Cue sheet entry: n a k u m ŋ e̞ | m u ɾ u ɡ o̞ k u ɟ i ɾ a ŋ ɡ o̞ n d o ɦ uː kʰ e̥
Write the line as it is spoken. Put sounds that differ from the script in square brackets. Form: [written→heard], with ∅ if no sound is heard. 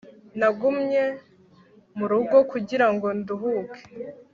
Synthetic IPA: n a [k→ɡ] u m [ŋ→ɲ] e̞ | m u ɾ u ɡ o̞ k u ɟ i ɾ a ŋ ɡ o̞ n d [o→u] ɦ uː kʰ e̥